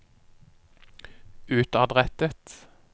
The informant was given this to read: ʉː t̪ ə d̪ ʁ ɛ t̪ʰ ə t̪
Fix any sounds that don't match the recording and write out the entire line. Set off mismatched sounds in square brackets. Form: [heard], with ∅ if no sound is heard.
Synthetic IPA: ʉː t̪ [ɑ] d̪ ʁ ɛ [t̪] ə t̪